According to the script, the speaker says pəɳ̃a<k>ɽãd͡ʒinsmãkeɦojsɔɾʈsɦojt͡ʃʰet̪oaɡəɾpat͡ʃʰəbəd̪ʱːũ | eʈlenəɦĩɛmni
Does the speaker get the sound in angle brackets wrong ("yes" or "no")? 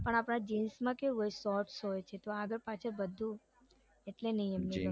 yes